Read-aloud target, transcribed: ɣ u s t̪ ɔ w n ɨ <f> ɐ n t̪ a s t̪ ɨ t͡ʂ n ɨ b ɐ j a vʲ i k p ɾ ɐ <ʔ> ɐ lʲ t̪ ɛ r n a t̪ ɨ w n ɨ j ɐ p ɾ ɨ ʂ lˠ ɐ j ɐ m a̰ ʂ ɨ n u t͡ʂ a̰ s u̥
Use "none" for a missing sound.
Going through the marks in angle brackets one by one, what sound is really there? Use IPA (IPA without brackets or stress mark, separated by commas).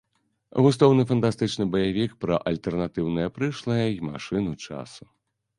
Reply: f, ʔ